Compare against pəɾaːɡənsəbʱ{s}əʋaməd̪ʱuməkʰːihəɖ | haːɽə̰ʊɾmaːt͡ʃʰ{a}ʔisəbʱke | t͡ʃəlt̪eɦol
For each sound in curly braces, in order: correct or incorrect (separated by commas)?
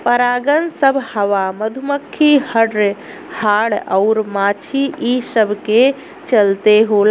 incorrect, incorrect